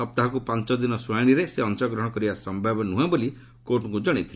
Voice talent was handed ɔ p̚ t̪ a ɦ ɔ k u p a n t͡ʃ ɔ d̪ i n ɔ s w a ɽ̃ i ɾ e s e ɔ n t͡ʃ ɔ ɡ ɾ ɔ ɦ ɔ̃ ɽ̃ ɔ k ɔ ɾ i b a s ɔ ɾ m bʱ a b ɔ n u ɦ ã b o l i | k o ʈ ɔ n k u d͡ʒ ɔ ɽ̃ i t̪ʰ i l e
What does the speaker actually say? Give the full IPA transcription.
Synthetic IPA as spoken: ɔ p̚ t̪ a ɦ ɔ k u p a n t͡ʃ ɔ d̪ i n ɔ s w a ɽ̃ i ɾ e s e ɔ n t͡ʃ ɔ ɡ ɾ ɔ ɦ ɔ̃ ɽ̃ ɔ k ɔ ɾ i b a s ɔ m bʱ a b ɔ n u ɦ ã b o l i | k o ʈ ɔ ŋ k u d͡ʒ ɔ ɽ̃ i t̪ʰ i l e